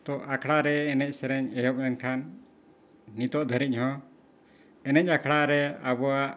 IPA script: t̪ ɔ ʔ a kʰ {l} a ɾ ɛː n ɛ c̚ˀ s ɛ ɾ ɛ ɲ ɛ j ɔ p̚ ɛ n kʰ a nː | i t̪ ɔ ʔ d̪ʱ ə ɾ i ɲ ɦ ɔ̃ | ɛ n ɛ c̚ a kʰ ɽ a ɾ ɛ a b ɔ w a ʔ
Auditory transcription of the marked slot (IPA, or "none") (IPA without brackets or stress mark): ɽ